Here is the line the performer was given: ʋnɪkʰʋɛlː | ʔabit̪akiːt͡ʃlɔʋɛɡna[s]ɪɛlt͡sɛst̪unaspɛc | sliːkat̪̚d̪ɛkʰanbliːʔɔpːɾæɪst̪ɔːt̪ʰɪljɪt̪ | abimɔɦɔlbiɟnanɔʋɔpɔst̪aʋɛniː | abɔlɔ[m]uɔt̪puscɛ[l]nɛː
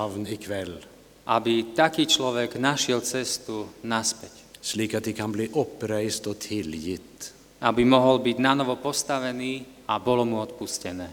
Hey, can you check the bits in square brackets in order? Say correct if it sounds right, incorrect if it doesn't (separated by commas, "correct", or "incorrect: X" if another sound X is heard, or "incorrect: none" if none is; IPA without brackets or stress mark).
incorrect: ʃ, correct, incorrect: none